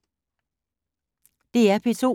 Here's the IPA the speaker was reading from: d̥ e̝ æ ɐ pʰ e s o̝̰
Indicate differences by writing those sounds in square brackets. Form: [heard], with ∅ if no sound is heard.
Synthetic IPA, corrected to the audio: d̥ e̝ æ ɐ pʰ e s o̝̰